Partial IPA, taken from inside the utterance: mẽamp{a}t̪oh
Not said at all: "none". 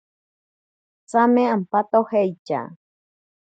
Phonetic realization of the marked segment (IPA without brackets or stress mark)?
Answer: a